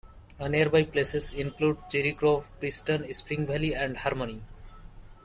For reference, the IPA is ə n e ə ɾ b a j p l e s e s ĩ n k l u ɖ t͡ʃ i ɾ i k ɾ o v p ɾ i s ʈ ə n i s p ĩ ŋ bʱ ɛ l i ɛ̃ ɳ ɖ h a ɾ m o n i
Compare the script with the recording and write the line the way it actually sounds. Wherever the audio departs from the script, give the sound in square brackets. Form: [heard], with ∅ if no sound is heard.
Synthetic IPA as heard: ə n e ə ɾ b a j p l e s e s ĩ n k l u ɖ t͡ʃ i ɾ i k ɾ o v p ɾ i s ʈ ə n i s p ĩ ŋ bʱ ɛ l i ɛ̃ ɳ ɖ h a ɾ m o n i

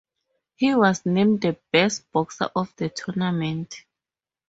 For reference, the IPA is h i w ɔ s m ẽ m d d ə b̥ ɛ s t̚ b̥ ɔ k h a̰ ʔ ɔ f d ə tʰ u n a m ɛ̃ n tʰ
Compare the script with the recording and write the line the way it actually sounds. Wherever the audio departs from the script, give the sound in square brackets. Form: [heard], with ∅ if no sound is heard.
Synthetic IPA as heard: h i w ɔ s [n] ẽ m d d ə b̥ ɛ s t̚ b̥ ɔ k [s] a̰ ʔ ɔ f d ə tʰ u n a m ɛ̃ n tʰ

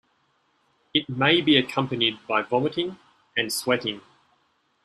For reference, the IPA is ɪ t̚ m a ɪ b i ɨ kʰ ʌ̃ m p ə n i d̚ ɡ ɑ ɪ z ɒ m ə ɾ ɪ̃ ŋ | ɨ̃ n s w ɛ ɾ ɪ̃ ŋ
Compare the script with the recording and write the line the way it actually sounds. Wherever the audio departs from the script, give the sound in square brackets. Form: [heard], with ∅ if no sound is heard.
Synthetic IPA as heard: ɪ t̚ m [e] ɪ b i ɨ kʰ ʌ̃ m p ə n i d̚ [b] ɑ ɪ [v] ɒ m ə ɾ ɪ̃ ŋ | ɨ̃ n s w ɛ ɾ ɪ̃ ŋ

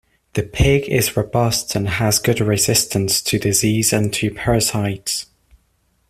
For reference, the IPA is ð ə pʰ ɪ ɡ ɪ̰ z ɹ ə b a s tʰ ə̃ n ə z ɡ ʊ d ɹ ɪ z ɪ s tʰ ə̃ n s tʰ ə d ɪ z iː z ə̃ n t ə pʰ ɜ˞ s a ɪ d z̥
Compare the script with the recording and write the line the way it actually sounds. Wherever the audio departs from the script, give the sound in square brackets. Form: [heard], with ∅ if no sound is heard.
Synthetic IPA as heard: ð ə pʰ ɪ ɡ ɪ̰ z ɹ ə b [ʌ] s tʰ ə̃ n ə z ɡ ʊ d ɹ ɪ z ɪ s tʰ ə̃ n s tʰ ə d ɪ z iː z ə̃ n [tʰ] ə pʰ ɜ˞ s a ɪ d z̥

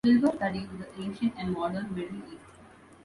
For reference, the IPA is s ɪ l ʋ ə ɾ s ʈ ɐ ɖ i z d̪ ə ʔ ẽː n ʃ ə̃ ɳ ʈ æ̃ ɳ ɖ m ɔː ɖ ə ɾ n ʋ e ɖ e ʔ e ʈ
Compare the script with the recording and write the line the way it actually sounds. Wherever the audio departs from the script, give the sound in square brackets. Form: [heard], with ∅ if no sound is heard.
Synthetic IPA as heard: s ɪ l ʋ ə ɾ s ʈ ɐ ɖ i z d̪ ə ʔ ẽː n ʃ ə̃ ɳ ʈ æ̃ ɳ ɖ m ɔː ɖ ə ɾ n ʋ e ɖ [i] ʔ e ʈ

